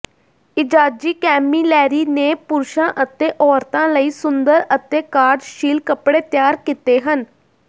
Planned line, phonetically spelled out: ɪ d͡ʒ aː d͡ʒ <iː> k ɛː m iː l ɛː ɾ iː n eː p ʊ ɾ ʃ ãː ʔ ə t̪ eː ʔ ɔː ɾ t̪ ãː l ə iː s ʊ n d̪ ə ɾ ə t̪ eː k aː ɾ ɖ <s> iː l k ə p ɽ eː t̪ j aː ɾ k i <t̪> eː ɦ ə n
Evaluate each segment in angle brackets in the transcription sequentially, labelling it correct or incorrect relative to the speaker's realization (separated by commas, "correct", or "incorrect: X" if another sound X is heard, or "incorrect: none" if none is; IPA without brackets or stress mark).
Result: correct, incorrect: ʃ, correct